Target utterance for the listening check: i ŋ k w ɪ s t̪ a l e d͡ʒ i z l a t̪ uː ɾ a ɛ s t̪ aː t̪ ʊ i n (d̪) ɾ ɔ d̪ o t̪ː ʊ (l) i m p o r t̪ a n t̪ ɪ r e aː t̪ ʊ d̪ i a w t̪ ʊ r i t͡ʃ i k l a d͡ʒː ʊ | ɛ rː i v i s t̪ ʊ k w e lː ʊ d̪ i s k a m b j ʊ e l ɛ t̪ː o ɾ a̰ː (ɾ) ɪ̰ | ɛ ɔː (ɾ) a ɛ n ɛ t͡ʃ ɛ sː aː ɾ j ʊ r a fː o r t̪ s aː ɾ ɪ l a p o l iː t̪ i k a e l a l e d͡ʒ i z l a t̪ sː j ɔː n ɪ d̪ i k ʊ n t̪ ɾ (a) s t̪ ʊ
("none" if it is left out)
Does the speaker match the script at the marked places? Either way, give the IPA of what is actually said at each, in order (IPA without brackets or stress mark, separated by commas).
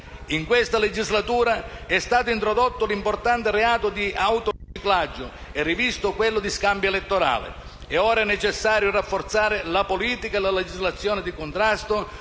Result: t̪, l, l, ɾ, a